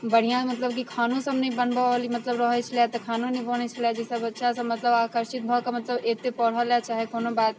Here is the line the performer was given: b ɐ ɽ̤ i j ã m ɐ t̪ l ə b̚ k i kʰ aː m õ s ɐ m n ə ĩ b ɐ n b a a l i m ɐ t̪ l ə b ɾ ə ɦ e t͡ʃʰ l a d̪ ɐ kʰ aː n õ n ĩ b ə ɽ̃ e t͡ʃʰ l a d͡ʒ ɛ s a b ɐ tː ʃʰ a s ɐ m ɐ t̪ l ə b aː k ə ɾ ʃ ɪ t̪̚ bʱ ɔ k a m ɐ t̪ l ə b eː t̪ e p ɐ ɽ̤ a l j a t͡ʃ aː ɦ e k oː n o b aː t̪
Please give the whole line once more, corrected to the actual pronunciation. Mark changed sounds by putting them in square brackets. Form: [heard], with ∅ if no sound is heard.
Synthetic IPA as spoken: b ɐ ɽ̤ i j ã m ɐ t̪ l ə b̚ k i kʰ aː [n] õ s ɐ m n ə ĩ b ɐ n b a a l i m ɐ t̪ l ə b ɾ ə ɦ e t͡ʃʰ l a [t̪] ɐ kʰ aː n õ n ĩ b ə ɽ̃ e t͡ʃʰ l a d͡ʒ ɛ s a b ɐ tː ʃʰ a s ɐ m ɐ t̪ l ə b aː k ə ɾ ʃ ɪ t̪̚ bʱ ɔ k a m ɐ t̪ l ə b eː t̪ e p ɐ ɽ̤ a l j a t͡ʃ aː ɦ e k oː n o b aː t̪